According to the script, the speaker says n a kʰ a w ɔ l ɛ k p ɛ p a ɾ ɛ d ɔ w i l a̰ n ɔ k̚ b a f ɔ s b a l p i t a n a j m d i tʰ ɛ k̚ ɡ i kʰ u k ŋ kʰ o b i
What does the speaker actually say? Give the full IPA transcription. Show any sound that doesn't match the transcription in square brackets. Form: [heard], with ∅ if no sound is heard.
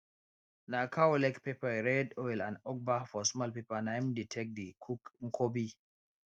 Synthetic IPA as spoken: n a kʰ a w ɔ l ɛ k p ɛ p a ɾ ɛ d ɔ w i l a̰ n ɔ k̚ b a f ɔ s [m] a l p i [p] a n a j m d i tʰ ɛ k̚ [d] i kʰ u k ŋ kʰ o b i